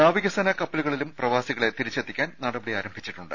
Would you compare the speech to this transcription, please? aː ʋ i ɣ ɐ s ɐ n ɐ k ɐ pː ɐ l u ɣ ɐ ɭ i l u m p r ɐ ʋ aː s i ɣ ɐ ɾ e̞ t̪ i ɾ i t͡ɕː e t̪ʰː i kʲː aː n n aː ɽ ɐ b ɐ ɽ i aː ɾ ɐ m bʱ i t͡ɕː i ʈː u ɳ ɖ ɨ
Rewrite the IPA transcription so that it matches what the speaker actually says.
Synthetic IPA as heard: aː ʋ i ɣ ɐ s ɐ n ɐ k ɐ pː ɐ l u ɣ ɐ ɭ i l u m p r ɐ ʋ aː s i ɣ ɐ ɭ e̞ t̪ i ɾ i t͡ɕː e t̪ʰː i kʲː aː n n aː ɽ ɐ b ɐ ɽ i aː ɾ ɐ m bʱ i t͡ɕː i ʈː u ɳ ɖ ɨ